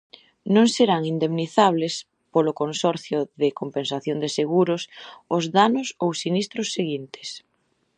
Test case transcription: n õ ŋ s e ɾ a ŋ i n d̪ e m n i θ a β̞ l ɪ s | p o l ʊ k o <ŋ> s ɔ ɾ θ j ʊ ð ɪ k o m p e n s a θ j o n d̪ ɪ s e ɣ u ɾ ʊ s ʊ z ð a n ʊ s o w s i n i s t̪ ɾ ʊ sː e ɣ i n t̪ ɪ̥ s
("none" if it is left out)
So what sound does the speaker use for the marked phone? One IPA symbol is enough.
n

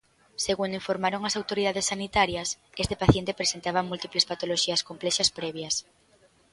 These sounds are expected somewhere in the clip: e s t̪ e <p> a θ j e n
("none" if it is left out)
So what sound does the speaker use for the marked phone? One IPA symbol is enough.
p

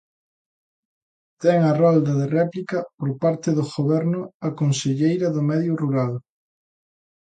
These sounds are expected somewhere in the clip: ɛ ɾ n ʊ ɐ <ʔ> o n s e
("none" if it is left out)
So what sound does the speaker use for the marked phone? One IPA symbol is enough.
k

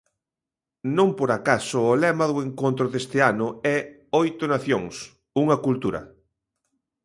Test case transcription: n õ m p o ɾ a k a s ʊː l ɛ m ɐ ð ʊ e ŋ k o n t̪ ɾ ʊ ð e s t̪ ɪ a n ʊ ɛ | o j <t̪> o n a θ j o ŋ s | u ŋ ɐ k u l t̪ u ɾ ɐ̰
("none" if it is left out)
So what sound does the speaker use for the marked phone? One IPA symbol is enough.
t̪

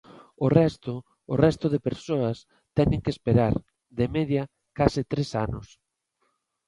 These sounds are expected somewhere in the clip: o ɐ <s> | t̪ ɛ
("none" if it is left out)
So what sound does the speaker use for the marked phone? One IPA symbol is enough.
s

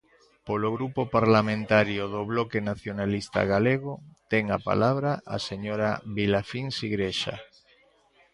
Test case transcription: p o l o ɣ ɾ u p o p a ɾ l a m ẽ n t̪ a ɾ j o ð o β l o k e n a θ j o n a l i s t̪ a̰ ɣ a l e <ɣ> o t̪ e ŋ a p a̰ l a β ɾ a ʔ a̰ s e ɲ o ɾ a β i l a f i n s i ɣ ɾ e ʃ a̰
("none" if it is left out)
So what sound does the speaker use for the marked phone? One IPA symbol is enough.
ɣ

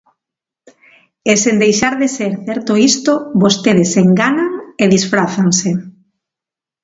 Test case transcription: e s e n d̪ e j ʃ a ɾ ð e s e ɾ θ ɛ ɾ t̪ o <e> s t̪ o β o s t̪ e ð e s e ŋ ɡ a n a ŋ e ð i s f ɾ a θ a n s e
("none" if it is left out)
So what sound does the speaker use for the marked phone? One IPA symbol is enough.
i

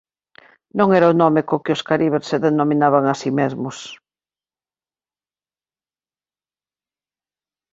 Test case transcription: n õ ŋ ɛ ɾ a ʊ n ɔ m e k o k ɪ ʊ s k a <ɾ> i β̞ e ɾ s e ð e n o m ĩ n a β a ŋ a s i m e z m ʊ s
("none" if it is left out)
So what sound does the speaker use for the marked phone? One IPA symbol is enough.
ɾ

